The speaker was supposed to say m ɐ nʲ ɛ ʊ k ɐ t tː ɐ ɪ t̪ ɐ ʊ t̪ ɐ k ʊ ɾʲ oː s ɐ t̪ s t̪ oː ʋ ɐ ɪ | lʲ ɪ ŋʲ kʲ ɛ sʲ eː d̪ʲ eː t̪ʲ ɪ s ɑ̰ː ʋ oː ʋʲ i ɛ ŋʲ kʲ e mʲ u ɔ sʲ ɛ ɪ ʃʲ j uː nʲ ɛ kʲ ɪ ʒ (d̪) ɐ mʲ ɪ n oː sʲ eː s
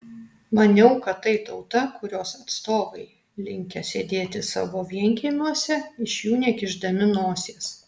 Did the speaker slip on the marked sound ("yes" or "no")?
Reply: no